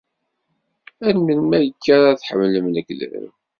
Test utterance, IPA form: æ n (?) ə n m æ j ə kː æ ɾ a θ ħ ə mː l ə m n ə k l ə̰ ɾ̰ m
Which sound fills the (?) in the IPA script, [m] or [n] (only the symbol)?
m